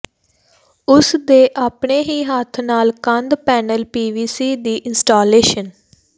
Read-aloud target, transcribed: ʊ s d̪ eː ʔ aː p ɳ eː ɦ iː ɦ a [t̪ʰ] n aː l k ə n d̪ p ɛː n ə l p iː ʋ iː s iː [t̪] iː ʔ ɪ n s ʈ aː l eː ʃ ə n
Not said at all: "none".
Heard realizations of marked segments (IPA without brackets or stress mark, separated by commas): t̪ʰ, d̪